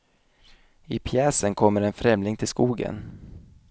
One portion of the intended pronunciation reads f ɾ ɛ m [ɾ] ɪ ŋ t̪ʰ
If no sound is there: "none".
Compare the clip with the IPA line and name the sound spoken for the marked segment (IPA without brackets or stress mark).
l